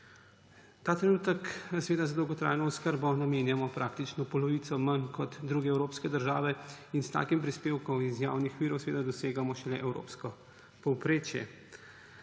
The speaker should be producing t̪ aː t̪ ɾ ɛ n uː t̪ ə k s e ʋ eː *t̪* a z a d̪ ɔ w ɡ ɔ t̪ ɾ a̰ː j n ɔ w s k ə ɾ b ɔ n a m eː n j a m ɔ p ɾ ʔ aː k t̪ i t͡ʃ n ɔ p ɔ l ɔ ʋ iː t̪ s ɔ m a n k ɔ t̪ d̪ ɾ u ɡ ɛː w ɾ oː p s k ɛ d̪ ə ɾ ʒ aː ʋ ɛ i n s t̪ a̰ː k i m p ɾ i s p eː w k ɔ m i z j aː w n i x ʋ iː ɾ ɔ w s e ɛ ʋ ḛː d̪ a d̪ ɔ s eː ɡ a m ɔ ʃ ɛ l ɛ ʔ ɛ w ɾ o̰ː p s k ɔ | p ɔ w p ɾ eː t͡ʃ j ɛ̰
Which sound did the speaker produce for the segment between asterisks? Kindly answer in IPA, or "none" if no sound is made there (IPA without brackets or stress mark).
d̪